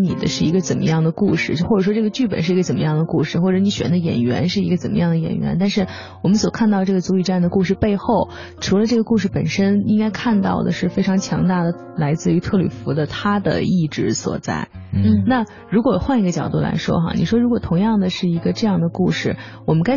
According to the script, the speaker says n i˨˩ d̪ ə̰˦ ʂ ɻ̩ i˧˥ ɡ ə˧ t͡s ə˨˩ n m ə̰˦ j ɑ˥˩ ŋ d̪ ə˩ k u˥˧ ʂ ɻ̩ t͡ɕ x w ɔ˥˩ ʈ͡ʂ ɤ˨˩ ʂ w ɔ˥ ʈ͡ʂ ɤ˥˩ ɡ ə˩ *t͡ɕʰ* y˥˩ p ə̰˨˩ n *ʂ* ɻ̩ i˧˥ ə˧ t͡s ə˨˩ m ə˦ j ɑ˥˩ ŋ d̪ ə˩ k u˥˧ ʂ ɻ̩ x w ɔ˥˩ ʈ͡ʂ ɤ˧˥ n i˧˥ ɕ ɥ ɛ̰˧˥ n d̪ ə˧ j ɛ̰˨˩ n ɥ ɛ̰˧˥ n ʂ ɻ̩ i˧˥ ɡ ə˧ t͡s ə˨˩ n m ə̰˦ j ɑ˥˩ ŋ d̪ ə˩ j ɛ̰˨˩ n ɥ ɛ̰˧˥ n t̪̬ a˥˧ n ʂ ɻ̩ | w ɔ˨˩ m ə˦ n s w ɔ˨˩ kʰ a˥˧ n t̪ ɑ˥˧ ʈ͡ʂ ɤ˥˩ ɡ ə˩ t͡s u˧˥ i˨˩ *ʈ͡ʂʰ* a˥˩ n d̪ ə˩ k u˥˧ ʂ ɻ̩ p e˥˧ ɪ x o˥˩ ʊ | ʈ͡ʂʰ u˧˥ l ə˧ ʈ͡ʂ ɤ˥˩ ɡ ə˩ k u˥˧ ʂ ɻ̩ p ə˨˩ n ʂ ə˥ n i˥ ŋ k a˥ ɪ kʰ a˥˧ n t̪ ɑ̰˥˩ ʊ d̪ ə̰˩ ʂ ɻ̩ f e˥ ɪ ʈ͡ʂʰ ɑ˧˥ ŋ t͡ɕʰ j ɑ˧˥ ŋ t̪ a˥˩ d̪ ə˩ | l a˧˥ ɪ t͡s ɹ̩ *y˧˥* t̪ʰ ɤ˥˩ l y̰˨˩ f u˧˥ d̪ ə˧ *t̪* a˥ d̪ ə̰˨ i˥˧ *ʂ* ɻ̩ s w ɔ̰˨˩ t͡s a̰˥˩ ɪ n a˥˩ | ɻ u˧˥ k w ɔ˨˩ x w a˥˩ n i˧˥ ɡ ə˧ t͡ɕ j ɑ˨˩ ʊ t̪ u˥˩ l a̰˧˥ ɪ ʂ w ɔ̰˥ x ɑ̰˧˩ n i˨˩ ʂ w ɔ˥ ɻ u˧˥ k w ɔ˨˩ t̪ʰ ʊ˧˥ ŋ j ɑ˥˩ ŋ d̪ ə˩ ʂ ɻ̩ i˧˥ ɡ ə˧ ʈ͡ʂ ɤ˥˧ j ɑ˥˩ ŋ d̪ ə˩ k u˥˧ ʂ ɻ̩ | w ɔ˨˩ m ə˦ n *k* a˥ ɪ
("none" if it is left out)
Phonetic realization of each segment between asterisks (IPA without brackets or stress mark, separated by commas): t͡ɕ, ʂ, ʈ͡ʂ, y˧˥, t̪ʰ, ʈ͡ʂ, k